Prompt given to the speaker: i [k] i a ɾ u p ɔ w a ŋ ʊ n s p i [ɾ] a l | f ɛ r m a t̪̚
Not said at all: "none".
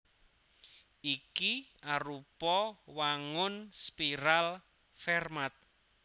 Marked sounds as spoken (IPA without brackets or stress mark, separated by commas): k, ɾ